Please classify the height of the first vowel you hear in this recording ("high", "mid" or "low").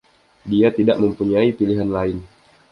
high